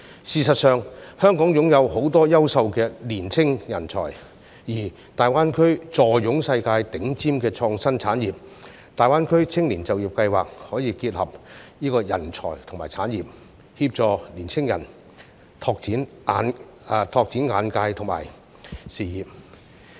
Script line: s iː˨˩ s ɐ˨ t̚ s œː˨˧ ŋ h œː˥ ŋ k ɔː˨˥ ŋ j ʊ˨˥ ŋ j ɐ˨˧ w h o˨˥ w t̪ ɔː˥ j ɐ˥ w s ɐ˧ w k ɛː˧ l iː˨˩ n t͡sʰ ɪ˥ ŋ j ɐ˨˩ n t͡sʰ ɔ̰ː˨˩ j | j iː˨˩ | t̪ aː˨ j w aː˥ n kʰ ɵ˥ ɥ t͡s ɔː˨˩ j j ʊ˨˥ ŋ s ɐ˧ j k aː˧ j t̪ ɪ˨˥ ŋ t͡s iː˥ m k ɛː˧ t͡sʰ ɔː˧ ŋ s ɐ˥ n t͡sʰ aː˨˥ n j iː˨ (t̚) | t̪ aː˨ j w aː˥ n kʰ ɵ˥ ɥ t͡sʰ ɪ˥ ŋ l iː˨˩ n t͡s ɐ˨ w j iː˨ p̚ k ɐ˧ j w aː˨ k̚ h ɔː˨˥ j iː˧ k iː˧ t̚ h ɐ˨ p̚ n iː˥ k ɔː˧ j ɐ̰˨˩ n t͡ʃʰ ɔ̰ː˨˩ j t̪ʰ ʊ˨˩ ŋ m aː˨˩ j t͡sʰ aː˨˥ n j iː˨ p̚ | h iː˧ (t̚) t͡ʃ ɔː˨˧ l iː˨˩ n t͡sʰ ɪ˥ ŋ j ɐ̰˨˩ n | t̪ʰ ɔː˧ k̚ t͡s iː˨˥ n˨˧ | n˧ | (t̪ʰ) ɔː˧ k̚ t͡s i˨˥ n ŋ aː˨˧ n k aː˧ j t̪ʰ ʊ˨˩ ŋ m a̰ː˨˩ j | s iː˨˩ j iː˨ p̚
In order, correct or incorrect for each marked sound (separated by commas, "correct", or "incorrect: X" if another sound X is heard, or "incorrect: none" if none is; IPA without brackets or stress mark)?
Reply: incorrect: p̚, incorrect: p̚, correct